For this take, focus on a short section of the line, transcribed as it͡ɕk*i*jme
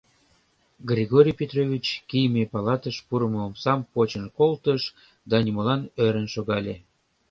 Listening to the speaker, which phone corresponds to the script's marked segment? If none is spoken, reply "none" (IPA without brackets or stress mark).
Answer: i